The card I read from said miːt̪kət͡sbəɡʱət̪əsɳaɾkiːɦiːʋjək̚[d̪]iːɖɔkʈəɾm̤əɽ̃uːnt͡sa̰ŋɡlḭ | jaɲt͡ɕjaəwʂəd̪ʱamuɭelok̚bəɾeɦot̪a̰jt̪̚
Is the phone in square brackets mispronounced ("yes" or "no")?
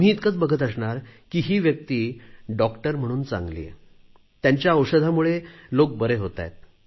yes